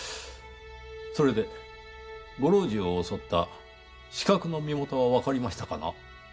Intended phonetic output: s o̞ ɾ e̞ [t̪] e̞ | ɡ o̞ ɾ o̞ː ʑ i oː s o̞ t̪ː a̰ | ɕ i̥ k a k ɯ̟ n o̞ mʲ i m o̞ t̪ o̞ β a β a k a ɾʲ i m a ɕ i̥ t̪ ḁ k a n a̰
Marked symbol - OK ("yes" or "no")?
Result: no